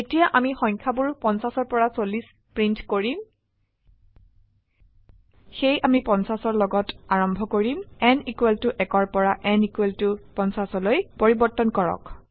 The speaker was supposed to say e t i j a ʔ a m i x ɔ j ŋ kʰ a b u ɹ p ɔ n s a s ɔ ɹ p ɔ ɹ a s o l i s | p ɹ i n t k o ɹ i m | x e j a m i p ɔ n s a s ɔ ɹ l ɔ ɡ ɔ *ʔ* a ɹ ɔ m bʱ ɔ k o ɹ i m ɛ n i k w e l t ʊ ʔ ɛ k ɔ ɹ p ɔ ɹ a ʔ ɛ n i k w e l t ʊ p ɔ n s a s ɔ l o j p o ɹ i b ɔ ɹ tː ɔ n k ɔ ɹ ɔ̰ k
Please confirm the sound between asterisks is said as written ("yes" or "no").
no